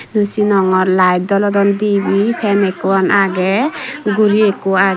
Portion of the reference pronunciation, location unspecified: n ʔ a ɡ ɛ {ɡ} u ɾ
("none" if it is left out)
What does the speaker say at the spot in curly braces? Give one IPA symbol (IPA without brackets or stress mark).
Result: ɡ